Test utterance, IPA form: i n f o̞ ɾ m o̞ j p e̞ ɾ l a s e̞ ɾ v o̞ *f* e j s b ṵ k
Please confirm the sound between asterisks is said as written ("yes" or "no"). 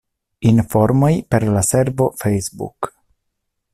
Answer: yes